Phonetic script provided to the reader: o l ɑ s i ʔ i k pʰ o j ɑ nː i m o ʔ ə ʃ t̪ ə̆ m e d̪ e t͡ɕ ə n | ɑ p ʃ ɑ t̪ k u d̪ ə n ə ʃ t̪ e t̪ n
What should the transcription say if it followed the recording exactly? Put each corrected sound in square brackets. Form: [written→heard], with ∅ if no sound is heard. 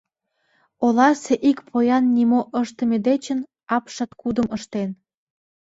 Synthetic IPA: o l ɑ s [i→e] ʔ i k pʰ o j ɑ nː i m o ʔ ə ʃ t̪ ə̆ m e d̪ e t͡ɕ ə n | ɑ p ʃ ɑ t̪ k u d̪ ə [n→m] ə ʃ t̪ e [t̪→∅] n